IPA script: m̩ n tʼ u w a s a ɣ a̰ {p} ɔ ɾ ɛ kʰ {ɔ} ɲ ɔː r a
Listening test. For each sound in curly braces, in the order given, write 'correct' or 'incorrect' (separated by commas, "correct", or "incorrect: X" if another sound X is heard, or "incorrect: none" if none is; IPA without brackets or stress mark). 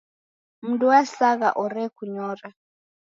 incorrect: ʔ, incorrect: u